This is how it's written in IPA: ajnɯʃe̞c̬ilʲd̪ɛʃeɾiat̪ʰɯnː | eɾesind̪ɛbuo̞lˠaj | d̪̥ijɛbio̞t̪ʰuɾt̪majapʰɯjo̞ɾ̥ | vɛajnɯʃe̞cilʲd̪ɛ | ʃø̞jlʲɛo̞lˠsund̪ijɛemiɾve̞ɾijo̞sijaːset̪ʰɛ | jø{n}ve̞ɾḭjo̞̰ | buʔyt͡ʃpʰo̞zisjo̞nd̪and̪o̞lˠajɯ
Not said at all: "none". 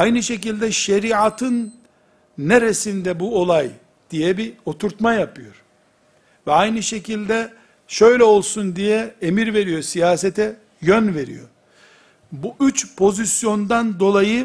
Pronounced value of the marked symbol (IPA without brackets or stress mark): n